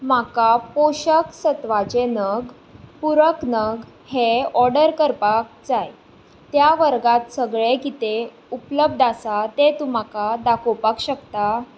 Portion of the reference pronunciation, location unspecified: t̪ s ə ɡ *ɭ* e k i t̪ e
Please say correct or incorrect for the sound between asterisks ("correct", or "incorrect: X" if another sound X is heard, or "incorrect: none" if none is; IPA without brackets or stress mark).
correct